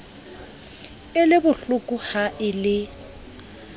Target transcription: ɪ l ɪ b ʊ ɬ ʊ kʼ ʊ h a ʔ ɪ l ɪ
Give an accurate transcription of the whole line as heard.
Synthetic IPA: ɪ l ɪ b ʊ ɬ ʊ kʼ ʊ h a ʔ ɪ l ɪ